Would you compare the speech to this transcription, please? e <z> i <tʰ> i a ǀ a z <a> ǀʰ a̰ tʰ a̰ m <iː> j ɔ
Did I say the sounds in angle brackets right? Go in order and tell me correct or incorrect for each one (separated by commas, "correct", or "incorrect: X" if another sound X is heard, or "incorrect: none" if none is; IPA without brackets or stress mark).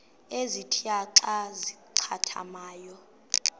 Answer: correct, correct, incorrect: i, incorrect: aː